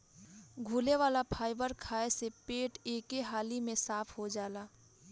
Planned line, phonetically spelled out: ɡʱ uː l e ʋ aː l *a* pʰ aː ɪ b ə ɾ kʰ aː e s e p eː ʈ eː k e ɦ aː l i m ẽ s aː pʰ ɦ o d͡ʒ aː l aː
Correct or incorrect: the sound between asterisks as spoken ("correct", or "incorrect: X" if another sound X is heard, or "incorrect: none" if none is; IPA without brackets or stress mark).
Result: correct